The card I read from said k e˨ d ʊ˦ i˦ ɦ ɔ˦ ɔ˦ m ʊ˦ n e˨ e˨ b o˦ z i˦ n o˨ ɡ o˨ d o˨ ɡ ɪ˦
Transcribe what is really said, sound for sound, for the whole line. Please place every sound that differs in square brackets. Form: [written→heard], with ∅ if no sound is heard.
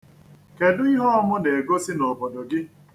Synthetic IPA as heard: k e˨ d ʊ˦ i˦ ɦ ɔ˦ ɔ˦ m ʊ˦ n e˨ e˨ [b→ɡ] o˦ [z→s] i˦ n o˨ [ɡ→b] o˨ d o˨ ɡ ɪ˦